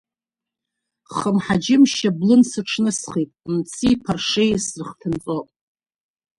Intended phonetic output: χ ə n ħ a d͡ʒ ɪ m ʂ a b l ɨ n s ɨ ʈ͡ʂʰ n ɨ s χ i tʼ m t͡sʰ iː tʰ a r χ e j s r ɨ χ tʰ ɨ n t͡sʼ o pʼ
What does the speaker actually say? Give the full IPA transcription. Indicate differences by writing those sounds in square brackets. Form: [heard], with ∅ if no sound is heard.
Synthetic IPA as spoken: χ ə [m] ħ a d͡ʒ ɪ m [ʃ] a b l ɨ n s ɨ ʈ͡ʂʰ n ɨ s χ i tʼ m t͡sʰ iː [pʰ] a r [ʂ] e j s r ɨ χ tʰ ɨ n t͡sʼ o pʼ